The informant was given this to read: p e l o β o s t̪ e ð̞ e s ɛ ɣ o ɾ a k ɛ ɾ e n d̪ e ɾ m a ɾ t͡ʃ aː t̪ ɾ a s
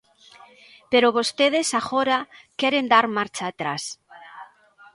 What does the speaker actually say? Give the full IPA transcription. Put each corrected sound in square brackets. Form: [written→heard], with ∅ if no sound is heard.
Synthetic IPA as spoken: p e [l→ɾ] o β o s t̪ e ð̞ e s [ɛ→a] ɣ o ɾ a k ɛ ɾ e n d̪ [e→a] ɾ m a ɾ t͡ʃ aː t̪ ɾ a s